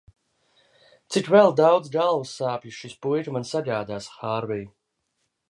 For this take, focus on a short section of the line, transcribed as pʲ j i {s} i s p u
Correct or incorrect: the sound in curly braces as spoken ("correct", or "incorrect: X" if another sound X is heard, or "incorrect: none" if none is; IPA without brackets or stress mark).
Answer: incorrect: ʃ